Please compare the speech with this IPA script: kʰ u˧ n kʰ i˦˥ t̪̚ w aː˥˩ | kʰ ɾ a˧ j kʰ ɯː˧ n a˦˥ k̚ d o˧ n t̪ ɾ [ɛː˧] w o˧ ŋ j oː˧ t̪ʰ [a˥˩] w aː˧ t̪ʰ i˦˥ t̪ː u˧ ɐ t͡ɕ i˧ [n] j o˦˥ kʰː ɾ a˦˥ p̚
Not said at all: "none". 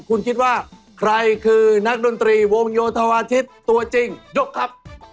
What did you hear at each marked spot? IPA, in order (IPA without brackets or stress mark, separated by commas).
iː˧, a˧, ŋ